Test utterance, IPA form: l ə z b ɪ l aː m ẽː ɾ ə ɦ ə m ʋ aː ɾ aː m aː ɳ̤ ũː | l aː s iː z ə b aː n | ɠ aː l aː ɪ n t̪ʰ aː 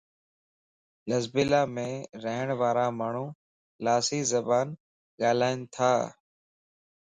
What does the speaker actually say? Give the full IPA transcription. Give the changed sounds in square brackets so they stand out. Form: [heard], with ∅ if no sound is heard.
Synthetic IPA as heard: l ə z b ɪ l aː m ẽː ɾ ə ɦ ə [ɳ] ʋ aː ɾ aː m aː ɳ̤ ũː | l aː s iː z ə b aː n | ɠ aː l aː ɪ n t̪ʰ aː